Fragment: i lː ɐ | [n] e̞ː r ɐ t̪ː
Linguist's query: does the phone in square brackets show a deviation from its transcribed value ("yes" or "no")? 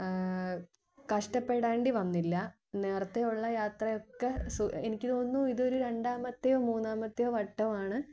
no